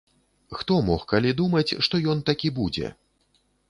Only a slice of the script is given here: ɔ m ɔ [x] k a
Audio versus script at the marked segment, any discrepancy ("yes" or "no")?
no